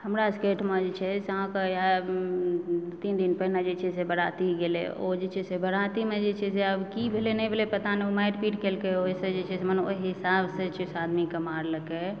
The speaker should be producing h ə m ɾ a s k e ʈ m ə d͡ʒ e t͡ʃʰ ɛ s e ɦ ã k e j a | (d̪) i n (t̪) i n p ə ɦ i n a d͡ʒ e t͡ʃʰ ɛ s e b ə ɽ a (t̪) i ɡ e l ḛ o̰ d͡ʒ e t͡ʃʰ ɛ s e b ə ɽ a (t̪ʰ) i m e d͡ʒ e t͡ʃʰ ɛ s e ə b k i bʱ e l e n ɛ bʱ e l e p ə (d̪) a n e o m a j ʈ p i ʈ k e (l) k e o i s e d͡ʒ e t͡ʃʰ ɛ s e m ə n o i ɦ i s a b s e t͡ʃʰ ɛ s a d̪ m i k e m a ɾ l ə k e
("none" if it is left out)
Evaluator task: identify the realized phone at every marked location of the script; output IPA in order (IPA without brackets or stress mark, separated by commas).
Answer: t̪, d̪, t̪, t̪, t̪, l